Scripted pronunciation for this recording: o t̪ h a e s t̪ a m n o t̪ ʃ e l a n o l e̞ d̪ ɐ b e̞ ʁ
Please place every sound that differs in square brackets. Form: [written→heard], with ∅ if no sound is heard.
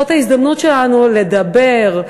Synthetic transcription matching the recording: o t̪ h a [e→i] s [t̪→d̪] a m n [o→u] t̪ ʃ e l a n [o→u] l e̞ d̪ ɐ b e̞ ʁ